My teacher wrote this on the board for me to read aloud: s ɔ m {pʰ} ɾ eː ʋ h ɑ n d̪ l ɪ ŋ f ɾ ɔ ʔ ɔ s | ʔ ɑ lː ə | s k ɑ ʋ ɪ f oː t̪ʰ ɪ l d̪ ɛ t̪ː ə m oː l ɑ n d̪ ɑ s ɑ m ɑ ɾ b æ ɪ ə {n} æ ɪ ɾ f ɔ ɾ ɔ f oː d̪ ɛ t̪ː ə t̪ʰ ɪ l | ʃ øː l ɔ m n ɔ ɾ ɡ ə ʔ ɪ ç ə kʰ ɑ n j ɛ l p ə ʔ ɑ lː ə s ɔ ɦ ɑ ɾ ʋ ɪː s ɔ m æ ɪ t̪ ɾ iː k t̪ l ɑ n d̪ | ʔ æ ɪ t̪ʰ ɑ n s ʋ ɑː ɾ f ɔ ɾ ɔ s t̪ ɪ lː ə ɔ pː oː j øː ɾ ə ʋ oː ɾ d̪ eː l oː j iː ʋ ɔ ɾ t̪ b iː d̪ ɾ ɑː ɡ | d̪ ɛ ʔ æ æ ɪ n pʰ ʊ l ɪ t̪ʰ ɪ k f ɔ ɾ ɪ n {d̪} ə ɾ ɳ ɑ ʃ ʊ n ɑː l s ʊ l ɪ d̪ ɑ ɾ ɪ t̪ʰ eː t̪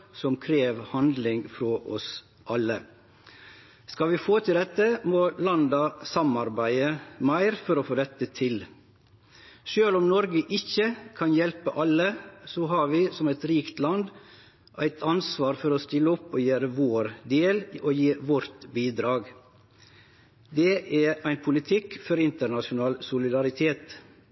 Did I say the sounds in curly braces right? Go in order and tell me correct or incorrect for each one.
incorrect: kʰ, incorrect: m, incorrect: t̪

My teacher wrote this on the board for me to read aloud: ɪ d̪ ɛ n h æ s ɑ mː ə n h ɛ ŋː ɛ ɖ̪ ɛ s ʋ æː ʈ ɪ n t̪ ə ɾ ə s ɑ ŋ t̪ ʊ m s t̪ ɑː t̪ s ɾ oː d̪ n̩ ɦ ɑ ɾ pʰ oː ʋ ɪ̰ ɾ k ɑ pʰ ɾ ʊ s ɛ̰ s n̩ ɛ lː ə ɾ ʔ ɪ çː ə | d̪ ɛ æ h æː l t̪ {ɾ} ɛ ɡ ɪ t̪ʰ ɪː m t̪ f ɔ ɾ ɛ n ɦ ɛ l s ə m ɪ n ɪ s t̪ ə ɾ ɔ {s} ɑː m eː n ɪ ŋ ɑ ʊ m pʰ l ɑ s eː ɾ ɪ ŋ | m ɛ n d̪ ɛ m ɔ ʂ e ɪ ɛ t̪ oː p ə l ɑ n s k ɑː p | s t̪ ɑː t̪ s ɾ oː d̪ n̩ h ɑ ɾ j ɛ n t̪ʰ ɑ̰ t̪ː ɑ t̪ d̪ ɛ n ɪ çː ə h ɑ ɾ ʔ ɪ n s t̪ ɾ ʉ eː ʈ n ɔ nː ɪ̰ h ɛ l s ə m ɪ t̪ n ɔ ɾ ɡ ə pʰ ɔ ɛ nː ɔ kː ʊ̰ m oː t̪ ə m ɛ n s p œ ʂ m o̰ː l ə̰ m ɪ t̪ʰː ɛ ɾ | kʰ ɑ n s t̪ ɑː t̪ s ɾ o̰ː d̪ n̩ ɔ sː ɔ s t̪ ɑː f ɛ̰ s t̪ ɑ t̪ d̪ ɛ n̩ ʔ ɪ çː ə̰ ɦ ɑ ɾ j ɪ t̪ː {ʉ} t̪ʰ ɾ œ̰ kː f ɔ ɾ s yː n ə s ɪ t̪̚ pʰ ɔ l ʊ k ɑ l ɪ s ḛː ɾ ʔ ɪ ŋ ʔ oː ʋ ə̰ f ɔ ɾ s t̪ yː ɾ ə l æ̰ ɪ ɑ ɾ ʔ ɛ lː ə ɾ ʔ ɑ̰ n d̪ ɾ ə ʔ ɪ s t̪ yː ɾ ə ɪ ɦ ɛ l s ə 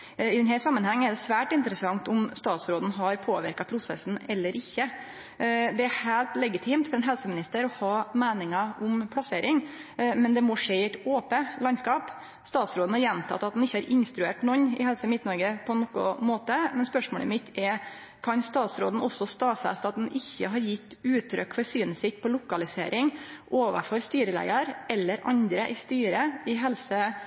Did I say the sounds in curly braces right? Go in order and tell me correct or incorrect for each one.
incorrect: l, incorrect: h, incorrect: ʉː

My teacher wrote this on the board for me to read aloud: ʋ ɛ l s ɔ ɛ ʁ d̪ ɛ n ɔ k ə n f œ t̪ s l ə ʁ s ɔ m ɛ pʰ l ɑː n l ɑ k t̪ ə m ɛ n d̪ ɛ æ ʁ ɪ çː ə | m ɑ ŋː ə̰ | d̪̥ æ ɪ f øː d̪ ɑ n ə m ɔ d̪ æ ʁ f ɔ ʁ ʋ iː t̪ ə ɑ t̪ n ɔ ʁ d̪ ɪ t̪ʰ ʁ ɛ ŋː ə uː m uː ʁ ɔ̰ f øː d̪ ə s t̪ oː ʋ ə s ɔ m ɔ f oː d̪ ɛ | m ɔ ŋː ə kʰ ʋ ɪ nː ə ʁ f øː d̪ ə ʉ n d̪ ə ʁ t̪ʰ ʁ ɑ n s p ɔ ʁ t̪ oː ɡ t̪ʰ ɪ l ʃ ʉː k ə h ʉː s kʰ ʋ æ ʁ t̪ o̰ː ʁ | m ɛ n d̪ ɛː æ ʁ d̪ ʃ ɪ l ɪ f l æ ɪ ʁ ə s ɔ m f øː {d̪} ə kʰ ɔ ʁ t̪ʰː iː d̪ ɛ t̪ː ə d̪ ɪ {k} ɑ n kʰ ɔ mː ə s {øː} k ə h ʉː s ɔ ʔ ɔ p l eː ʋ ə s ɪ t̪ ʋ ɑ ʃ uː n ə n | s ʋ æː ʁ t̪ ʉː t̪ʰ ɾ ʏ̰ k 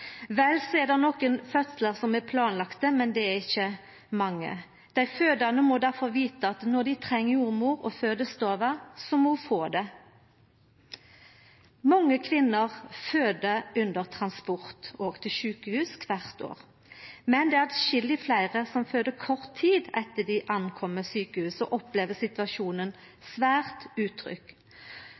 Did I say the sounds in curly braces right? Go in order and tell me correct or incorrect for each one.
correct, incorrect: ʔ, incorrect: yː

